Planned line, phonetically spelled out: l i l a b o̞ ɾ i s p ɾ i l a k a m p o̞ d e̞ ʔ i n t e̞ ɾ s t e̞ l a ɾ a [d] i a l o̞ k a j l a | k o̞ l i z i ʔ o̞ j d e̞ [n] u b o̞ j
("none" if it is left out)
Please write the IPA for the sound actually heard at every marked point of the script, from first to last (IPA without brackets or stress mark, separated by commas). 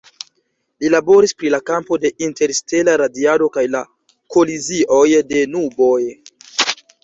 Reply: d, n